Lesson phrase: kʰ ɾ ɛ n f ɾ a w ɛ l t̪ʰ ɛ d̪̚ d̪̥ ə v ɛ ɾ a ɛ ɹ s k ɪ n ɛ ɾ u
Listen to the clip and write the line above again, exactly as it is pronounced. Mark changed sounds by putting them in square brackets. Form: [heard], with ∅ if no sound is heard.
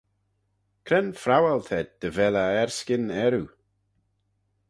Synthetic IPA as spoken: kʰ ɾ ɛ n f ɾ a w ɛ l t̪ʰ ɛ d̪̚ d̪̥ ə v ɛ [l] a ɛ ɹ s k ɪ n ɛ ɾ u